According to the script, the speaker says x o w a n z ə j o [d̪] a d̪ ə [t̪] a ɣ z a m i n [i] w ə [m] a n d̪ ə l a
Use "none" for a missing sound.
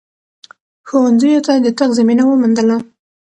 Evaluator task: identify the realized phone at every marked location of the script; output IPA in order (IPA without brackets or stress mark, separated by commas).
t̪, t̪, a, m